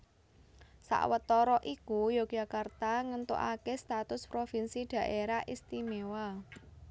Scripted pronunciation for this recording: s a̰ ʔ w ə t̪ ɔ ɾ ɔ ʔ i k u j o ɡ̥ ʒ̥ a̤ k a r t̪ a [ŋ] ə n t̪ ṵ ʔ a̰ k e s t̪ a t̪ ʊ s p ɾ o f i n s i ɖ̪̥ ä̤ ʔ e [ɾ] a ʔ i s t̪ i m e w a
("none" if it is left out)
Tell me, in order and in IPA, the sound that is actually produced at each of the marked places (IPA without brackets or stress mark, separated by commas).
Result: ŋ, ɾ